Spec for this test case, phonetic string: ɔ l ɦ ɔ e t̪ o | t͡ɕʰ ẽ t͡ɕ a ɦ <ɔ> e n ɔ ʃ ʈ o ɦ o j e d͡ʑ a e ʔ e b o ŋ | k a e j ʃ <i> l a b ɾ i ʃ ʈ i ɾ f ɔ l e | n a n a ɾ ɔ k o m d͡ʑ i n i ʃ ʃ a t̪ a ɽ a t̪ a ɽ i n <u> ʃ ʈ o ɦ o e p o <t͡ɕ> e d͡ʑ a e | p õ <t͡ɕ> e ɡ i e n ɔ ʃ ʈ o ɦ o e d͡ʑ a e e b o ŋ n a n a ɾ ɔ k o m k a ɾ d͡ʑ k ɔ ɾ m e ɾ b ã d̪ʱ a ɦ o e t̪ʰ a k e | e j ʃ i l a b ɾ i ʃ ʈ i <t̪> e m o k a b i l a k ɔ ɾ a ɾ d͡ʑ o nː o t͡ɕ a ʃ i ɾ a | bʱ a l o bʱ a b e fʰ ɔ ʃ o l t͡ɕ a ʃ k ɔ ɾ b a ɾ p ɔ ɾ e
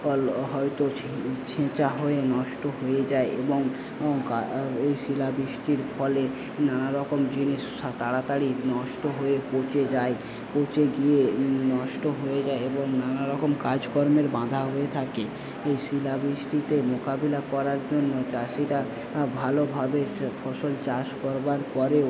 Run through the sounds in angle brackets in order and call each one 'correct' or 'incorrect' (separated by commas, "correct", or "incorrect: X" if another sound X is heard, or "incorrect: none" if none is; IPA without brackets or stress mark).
incorrect: o, correct, incorrect: ɔ, correct, correct, correct